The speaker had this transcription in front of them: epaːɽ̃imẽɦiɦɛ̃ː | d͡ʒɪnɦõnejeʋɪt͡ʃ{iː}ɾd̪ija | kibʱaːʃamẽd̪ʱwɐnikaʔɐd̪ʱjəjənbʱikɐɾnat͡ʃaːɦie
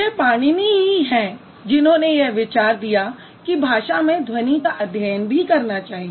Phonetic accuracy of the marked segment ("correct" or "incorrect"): incorrect